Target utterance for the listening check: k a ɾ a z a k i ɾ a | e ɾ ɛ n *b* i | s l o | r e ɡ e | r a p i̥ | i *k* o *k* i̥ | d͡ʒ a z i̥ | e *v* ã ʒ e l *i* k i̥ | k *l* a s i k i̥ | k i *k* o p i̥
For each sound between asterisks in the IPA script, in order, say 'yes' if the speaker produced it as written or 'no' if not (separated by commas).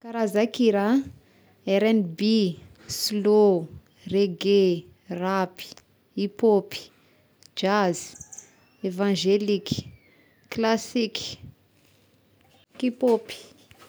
yes, no, no, yes, yes, yes, no